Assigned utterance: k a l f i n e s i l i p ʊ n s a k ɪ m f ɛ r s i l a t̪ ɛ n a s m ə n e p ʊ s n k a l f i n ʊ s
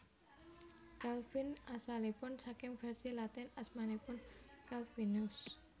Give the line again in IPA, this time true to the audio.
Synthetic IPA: k a l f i n a s a l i p ʊ n s a k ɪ m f ɛ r s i l a t̪ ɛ n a s m a n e p ʊ n k a l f i n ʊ s